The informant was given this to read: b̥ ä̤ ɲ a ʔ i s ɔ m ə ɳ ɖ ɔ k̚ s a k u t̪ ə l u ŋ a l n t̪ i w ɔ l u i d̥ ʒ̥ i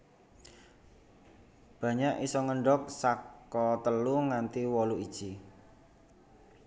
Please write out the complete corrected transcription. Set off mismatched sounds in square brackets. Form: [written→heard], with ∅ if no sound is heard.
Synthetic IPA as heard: b̥ ä̤ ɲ a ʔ i s ɔ [m→ŋ] ə ɳ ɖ ɔ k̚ s a k [u→ɔ] t̪ ə l u ŋ a [l→∅] n t̪ i w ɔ l u i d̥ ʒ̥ i